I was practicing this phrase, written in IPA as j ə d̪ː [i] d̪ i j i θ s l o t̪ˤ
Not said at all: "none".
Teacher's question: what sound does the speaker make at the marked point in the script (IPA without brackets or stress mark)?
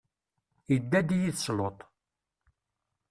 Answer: æ